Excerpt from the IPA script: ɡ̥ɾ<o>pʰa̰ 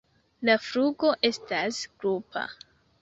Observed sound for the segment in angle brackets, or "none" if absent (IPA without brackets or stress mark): u